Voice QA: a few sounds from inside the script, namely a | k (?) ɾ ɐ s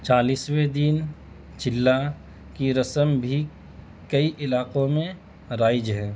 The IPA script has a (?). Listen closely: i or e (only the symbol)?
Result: i